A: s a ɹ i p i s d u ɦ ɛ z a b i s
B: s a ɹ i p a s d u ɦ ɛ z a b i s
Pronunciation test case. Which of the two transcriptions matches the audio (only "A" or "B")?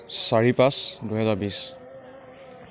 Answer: B